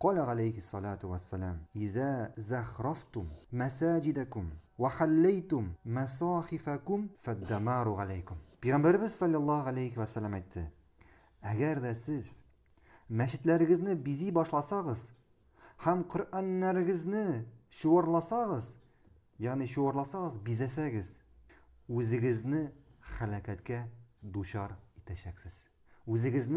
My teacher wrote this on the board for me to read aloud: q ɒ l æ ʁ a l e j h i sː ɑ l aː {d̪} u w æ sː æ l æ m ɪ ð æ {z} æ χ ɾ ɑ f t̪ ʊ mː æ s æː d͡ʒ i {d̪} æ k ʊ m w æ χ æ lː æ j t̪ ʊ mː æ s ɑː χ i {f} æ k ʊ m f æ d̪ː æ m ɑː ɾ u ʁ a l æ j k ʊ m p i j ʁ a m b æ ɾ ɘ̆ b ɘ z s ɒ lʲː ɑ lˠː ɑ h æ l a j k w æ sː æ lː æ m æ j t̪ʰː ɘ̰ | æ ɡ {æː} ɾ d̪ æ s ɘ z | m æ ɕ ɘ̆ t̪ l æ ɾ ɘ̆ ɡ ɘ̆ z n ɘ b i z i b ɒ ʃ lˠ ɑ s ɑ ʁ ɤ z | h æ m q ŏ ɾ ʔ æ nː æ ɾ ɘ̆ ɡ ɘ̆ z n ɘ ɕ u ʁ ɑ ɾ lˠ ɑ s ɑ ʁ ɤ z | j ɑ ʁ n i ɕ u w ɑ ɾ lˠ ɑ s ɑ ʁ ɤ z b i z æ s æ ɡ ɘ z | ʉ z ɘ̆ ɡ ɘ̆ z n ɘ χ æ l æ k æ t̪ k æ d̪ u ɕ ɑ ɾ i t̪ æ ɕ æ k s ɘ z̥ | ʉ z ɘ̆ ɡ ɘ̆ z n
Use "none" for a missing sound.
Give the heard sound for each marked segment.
t̪, z, d̪, f, æ

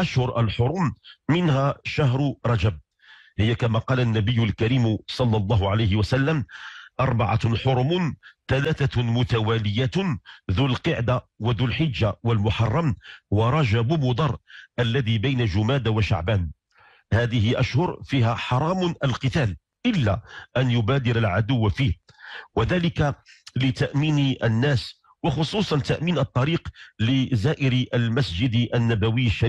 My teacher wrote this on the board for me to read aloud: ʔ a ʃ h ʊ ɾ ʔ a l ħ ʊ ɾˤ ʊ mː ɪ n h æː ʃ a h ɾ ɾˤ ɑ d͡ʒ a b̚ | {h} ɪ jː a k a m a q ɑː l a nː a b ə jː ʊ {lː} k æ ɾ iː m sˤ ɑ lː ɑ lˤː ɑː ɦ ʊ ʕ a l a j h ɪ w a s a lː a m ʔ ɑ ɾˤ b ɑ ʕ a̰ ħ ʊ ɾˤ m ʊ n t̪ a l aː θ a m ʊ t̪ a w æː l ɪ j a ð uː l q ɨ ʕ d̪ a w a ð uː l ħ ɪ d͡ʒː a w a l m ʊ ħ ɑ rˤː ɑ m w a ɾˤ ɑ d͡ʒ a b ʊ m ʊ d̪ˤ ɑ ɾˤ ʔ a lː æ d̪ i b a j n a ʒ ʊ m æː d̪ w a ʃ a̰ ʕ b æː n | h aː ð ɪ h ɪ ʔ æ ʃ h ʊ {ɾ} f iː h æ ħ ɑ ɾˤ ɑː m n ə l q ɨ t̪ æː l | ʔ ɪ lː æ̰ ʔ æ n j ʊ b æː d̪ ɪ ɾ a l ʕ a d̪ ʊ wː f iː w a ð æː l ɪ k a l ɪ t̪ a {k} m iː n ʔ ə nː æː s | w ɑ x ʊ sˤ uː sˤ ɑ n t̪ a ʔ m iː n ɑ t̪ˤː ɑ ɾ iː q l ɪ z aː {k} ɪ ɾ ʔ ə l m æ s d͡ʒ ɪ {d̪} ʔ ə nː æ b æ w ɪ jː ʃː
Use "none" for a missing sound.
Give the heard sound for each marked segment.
h, l, ɾ, ʔ, ʔ, d̪

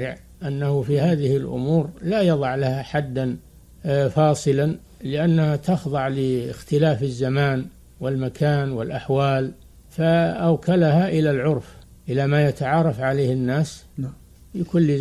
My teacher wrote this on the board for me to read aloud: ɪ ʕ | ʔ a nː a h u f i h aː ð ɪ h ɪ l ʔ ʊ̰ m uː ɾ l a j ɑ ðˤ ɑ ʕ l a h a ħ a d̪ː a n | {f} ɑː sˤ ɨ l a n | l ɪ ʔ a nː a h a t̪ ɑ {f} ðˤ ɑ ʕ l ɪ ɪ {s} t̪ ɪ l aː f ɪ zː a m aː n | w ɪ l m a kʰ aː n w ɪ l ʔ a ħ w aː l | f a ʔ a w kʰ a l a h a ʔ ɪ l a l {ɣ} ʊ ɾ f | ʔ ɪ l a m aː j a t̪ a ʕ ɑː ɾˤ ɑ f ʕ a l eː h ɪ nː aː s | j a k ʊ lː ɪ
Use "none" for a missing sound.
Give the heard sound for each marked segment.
f, x, x, ʕ

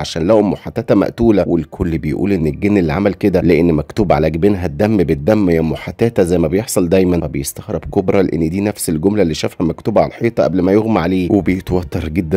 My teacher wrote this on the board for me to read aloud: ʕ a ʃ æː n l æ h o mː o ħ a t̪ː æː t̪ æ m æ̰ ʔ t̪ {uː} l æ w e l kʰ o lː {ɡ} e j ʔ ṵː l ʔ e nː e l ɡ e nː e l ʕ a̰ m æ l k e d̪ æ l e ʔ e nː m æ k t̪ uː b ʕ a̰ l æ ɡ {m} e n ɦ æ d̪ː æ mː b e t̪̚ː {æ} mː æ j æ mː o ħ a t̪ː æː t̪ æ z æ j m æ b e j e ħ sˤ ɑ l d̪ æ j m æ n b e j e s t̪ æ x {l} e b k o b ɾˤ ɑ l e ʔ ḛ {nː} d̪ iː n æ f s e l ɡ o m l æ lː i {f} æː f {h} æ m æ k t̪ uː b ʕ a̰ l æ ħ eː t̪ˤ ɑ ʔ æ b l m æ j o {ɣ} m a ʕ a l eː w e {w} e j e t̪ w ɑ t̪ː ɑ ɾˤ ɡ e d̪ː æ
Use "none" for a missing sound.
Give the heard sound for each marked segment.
uː, b, b, æ, ɾ, nː, ʃ, h, ɣ, b

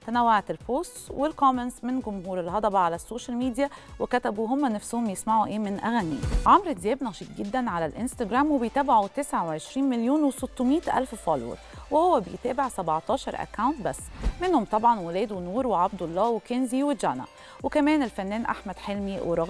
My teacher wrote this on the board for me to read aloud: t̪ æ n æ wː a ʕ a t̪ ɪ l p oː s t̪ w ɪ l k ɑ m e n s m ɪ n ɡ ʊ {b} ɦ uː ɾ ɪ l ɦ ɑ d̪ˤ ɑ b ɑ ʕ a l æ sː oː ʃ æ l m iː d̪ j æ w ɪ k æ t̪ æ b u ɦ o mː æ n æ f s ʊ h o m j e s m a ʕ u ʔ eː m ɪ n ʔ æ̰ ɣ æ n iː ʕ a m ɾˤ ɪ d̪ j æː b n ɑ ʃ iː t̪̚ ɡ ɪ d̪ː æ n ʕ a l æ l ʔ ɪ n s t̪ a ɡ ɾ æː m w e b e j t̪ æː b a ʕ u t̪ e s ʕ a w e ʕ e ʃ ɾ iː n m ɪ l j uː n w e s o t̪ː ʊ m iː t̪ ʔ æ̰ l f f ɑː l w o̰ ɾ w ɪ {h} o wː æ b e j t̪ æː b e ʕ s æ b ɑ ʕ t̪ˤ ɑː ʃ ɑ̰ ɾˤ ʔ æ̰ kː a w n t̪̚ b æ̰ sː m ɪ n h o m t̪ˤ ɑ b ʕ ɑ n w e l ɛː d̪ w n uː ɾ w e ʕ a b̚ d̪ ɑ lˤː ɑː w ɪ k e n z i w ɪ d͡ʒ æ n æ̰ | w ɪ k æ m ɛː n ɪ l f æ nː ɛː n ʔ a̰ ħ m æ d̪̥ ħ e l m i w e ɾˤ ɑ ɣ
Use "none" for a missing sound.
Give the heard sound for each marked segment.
m, h

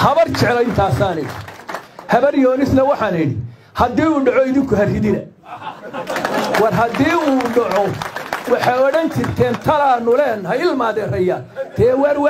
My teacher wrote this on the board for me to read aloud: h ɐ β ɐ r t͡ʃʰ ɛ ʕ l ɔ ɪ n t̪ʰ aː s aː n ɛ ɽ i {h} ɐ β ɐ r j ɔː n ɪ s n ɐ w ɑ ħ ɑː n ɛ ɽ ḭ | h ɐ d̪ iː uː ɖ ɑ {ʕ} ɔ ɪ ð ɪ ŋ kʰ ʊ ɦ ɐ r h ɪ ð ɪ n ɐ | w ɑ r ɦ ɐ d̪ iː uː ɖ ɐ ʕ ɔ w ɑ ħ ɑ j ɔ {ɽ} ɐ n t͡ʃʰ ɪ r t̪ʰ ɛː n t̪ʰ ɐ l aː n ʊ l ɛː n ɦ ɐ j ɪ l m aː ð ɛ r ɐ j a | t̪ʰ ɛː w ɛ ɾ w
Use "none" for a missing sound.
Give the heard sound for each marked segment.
h, ʕ, ɽ

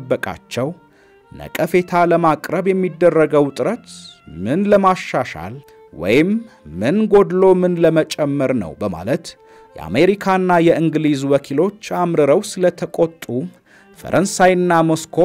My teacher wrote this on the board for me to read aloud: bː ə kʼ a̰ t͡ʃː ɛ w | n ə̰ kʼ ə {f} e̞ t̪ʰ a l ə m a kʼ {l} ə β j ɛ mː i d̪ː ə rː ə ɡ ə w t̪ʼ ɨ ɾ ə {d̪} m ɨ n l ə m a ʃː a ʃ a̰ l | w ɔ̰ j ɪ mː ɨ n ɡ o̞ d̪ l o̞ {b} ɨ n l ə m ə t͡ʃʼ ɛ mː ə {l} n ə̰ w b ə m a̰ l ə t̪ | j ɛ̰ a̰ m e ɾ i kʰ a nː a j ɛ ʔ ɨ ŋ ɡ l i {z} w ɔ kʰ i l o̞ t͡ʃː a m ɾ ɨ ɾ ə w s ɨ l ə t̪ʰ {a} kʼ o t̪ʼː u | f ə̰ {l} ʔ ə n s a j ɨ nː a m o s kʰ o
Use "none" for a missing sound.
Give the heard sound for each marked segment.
f, ɾ, t̪, m, ɾ, z, ə, ɾ

